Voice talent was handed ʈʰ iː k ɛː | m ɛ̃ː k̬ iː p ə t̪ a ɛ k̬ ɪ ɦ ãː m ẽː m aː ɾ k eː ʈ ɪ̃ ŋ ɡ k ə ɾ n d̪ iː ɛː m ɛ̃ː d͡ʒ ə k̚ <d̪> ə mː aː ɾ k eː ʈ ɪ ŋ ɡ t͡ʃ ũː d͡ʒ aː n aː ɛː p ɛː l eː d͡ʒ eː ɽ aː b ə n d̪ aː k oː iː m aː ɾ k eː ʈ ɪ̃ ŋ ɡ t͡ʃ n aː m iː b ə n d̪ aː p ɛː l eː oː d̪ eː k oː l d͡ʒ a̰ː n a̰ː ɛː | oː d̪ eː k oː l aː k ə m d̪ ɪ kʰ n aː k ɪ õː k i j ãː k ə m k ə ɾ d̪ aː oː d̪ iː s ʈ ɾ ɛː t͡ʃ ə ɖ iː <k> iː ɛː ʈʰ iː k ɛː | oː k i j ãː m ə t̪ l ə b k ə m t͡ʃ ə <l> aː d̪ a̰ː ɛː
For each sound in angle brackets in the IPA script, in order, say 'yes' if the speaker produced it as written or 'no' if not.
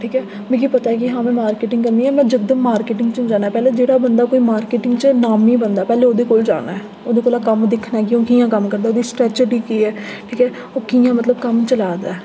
yes, yes, yes

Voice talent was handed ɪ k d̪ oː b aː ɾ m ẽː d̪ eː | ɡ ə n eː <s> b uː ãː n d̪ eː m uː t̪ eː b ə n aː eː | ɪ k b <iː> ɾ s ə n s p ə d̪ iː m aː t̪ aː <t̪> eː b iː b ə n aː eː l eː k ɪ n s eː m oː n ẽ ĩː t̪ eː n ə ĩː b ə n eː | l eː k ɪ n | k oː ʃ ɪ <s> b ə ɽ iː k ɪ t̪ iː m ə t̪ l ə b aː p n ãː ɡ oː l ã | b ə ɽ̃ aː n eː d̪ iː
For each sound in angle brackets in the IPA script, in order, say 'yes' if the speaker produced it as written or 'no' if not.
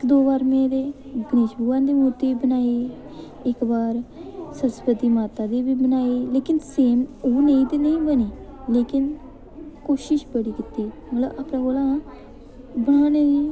no, no, no, no

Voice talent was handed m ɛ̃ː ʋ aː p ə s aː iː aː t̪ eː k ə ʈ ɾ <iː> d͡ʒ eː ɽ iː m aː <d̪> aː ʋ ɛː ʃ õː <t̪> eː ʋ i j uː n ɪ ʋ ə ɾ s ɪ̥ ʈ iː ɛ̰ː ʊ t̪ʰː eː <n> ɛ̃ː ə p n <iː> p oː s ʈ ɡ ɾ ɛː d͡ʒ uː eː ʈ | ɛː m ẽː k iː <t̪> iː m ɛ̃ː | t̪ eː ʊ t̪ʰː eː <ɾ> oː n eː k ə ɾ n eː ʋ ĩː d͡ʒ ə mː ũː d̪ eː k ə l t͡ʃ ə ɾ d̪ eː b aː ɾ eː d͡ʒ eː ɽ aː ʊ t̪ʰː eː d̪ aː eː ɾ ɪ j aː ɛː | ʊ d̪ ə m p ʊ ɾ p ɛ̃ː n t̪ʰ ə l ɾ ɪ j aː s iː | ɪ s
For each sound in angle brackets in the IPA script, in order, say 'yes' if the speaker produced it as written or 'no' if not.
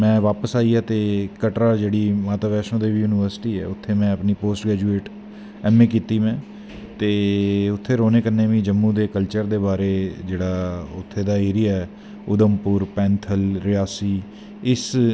no, no, no, no, yes, yes, yes

